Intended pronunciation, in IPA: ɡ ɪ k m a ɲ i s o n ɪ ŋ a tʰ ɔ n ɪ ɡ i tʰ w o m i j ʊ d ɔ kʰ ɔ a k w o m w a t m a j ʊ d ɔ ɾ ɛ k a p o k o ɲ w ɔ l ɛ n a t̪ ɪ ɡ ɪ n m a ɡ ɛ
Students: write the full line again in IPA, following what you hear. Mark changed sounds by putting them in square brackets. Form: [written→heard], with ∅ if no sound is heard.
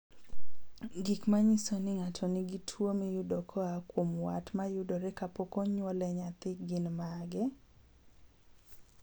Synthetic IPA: ɡ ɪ k m a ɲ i s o n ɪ ŋ a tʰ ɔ n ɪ ɡ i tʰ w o m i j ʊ d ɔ kʰ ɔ a k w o m w a t m a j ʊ d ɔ ɾ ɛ k a p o k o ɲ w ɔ l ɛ [n→ɲ] a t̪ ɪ ɡ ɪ n m a ɡ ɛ